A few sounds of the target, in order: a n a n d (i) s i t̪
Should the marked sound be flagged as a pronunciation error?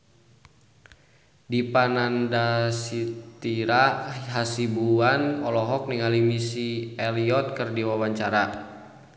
yes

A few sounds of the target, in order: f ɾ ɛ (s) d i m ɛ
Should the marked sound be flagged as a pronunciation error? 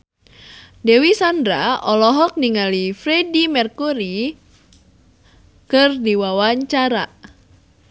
yes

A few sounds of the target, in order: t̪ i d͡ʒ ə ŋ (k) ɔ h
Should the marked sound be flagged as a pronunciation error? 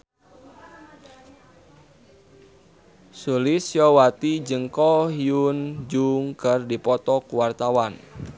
no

